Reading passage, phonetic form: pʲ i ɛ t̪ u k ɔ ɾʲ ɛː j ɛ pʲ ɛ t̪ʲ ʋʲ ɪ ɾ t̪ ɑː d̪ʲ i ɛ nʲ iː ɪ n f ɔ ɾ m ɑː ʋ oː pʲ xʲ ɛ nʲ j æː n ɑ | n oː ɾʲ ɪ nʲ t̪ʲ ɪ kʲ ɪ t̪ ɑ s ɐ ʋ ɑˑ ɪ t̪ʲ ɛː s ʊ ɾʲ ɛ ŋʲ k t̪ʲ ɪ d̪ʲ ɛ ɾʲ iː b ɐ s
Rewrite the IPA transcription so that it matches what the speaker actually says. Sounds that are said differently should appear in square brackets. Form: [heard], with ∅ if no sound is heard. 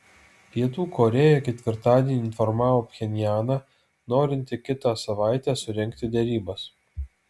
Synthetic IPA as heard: pʲ i ɛ t̪ [uː] k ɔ ɾʲ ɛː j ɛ [kʲ] ɛ t̪ʲ ʋʲ ɪ ɾ t̪ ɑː d̪ʲ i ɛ nʲ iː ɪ n f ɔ ɾ m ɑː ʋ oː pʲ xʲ ɛ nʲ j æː n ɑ | n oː ɾʲ ɪ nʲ t̪ʲ ɪ kʲ ɪ t̪ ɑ s ɐ ʋ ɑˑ ɪ t̪ʲ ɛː s ʊ ɾʲ ɛ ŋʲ k t̪ʲ ɪ d̪ʲ ɛ ɾʲ iː b ɐ s